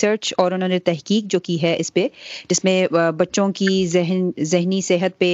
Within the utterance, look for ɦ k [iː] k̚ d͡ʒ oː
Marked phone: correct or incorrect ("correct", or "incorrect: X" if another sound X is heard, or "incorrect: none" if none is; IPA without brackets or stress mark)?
correct